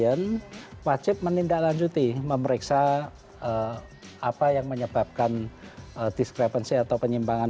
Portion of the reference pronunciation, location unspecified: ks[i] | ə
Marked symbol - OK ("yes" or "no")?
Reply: no